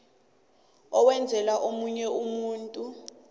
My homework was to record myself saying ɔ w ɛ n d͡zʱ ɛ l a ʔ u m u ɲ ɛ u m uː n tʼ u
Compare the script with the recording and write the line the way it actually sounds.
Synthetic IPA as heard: ɔ w ɛ n d͡zʱ ɛ l a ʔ o m u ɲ ɛ u m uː n tʼ u